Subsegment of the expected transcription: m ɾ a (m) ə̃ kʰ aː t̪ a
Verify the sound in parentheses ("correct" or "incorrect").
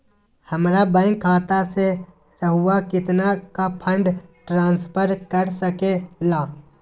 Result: incorrect